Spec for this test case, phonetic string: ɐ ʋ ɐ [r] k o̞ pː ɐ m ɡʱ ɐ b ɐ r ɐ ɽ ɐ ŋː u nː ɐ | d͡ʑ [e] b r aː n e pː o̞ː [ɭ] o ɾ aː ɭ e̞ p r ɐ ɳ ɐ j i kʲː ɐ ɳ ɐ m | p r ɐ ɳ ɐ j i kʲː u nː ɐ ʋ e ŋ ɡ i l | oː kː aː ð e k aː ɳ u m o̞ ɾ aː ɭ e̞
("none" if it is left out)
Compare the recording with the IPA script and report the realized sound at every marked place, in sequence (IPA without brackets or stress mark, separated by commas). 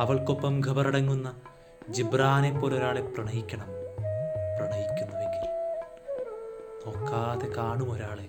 ɭ, i, l